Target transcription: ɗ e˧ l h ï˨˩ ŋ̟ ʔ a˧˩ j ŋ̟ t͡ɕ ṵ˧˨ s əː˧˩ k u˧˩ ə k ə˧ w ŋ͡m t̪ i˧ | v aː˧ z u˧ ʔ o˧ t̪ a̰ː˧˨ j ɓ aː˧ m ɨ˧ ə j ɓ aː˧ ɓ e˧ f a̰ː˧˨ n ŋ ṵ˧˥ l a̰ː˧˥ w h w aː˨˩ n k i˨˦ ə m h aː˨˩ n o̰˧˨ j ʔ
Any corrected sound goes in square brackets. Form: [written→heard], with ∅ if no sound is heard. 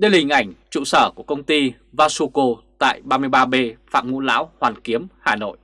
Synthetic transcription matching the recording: ɗ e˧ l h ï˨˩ ŋ̟ ʔ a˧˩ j ŋ̟ t͡ɕ ṵ˧˨ s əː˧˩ k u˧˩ ə k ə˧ w ŋ͡m t̪ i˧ | v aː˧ [z→s] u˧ [ʔ→k] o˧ t̪ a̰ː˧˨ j ɓ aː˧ m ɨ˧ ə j ɓ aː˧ ɓ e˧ f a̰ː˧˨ [n→m] ŋ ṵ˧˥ l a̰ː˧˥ w h w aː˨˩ n k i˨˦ ə m h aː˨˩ n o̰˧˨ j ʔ